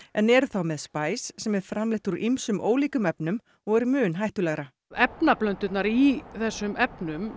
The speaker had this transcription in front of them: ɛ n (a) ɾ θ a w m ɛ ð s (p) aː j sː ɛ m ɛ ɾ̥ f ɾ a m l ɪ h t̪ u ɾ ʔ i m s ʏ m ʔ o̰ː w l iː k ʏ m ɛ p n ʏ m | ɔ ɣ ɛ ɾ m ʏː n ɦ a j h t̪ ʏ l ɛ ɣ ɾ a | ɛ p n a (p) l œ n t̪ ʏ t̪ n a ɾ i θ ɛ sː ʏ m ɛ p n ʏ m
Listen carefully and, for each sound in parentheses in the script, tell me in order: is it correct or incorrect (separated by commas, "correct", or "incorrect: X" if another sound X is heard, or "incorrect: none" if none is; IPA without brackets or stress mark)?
incorrect: ɛ, correct, correct